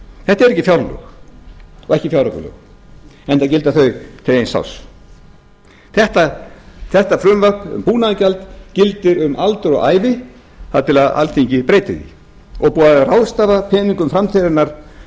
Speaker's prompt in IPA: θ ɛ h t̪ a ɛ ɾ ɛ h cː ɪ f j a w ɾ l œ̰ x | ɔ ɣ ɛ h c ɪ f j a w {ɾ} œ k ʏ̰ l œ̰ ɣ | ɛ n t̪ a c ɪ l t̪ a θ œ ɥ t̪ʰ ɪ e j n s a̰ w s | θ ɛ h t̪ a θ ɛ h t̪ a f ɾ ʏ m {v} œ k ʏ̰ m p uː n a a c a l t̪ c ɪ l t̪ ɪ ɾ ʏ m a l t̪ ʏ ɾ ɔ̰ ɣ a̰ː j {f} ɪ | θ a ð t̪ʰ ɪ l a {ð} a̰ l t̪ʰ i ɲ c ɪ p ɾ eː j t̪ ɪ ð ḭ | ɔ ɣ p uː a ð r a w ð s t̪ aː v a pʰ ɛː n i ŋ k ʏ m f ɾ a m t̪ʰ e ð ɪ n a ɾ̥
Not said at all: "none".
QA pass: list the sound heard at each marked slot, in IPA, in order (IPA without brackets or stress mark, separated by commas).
ɾ, v, v, ð